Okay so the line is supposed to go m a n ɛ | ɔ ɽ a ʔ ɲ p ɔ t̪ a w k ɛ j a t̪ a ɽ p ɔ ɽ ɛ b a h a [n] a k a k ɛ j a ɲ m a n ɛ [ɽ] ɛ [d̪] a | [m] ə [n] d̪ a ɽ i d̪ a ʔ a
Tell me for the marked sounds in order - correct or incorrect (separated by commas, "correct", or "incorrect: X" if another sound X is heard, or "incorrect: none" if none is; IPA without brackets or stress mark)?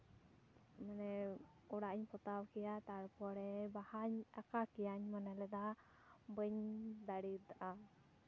incorrect: ɲ, incorrect: l, correct, incorrect: b, incorrect: ɲ